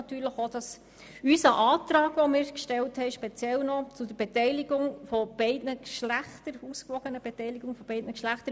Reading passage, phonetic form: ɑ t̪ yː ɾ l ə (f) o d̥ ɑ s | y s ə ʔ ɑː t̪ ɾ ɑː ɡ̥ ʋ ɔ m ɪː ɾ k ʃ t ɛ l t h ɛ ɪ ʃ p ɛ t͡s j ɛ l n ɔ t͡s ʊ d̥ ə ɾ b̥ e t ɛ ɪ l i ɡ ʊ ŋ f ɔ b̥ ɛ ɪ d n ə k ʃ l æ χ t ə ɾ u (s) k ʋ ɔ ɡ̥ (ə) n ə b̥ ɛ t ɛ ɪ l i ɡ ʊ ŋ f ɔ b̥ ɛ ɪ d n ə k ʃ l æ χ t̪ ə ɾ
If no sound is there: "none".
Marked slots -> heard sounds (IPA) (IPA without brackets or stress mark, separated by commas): χ, s, ə